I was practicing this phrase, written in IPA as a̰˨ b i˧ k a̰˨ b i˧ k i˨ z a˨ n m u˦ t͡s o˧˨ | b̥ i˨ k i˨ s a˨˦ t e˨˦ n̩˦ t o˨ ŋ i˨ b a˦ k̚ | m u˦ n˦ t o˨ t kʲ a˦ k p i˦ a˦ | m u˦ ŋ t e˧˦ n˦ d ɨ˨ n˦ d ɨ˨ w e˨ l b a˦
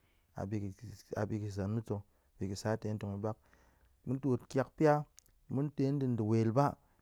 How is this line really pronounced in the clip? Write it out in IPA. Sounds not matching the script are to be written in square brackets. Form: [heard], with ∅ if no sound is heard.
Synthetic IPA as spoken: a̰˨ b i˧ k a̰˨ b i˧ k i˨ z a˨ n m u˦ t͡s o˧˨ | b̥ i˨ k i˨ s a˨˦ t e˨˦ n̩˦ t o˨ ŋ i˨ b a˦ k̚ | m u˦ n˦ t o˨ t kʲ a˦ k p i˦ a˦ | m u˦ [n] t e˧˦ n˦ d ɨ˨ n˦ d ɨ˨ w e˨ l b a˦

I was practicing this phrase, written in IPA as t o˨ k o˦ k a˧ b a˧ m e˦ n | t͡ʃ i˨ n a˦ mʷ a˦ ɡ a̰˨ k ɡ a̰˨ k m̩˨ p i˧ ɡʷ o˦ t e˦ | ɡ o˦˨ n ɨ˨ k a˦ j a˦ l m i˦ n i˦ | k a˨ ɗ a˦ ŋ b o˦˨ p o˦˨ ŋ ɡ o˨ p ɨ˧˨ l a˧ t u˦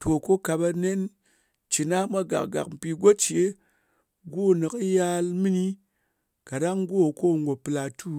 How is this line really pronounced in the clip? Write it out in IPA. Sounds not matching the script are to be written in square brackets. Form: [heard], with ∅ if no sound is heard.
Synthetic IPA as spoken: t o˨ k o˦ k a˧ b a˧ [n] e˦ n | t͡ʃ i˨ n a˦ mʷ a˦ ɡ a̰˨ k ɡ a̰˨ k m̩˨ p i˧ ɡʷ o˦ [t͡ʃ] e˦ | ɡ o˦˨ n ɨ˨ k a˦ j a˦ l m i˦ n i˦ | k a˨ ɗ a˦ ŋ [ɡ] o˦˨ [k] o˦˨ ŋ ɡ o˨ p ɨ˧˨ l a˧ t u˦

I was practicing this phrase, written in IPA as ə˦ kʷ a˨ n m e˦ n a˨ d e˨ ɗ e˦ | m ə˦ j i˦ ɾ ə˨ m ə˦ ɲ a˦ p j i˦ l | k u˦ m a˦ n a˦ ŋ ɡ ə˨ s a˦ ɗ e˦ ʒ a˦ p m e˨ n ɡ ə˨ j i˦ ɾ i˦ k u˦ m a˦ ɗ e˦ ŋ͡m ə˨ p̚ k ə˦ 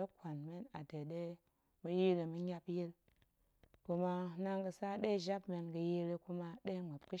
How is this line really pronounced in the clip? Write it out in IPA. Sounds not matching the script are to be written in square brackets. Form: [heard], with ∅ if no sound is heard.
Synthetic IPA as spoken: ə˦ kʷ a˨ n m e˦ n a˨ d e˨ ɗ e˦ | m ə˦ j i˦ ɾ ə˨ m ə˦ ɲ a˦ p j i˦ l | k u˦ m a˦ n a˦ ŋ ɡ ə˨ s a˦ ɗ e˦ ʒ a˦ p m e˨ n ɡ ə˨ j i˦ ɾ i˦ k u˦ m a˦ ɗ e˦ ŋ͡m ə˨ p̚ k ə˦

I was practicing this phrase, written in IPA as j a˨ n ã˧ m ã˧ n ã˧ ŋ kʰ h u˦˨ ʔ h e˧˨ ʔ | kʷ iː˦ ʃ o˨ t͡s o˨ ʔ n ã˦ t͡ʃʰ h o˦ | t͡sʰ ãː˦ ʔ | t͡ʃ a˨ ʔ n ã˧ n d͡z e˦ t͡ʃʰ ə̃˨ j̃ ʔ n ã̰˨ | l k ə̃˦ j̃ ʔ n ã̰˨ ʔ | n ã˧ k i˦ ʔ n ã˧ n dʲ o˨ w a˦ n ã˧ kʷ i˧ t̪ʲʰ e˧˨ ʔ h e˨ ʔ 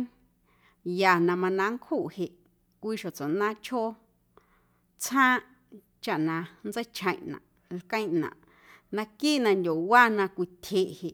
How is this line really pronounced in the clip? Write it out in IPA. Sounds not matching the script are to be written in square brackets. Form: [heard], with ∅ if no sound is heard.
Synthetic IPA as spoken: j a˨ n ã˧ m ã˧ n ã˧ ŋ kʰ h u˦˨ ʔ h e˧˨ ʔ | kʷ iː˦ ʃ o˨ t͡s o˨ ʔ n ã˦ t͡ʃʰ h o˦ | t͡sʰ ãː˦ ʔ | t͡ʃ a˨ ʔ n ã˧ n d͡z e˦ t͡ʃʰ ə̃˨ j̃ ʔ n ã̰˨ | l k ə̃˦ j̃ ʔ n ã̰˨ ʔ | n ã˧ k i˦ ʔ n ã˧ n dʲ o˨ w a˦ n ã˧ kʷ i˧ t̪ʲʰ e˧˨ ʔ h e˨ ʔ

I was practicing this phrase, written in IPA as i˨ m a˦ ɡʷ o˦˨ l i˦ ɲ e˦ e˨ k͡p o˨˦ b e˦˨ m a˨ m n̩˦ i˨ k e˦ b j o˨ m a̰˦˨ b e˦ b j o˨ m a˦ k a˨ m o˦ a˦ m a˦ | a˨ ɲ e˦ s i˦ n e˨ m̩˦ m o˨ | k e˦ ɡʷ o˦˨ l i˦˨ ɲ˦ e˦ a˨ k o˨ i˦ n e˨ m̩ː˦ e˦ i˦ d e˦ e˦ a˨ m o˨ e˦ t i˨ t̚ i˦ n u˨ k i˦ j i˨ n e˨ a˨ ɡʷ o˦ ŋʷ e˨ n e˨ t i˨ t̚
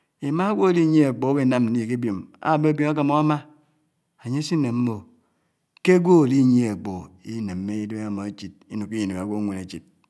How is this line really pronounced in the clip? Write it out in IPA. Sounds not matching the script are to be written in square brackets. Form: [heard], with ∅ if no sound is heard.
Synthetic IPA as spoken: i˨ m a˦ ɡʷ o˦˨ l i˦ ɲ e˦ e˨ k͡p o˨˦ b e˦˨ [n] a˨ m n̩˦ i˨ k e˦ b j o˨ m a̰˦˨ b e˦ b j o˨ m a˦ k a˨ m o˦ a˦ m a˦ | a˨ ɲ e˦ s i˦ n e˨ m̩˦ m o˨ | k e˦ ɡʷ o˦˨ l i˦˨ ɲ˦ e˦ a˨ [k͡p] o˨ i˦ n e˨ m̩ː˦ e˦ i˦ d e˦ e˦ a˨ m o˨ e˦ [t͡ʃ] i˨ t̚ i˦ n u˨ k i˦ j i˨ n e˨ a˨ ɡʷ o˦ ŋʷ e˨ n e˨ [t͡ʃ] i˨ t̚

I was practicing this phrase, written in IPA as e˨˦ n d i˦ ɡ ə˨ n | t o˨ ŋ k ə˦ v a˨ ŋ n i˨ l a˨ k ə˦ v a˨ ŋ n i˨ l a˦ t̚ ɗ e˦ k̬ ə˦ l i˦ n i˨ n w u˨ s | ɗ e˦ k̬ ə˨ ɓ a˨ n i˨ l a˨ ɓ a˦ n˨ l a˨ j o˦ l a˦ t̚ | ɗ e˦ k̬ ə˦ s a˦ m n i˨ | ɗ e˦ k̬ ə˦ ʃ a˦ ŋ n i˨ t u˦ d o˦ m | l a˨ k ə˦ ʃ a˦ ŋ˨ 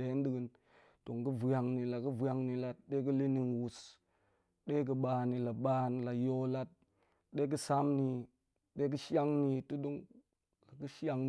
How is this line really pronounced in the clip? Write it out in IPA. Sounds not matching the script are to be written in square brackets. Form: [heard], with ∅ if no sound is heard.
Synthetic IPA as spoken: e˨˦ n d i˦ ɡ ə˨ n | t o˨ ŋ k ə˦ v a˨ ŋ n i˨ l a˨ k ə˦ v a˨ ŋ n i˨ l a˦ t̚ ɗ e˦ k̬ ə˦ l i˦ n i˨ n w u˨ s | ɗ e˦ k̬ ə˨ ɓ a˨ n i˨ l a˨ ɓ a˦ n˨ l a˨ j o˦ l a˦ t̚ | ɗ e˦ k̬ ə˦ s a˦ m n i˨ | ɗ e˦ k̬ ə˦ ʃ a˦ ŋ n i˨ t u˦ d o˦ [ŋ] | l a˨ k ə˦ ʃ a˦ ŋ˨

